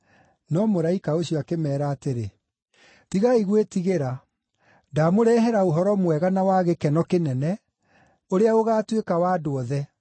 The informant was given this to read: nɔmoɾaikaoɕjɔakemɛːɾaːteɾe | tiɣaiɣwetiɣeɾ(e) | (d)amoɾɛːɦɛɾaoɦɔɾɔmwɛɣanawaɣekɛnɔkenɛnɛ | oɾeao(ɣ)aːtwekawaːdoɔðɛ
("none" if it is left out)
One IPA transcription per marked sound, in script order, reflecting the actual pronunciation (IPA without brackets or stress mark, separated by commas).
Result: a, d, ɣ